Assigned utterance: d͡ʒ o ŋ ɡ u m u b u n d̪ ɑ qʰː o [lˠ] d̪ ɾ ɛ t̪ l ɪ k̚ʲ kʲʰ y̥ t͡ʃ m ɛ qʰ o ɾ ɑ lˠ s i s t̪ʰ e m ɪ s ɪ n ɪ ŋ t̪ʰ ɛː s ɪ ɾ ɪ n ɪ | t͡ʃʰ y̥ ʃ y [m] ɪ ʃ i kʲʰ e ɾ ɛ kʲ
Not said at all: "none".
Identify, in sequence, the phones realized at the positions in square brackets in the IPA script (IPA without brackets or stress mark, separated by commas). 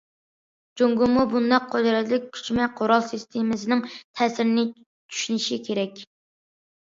none, n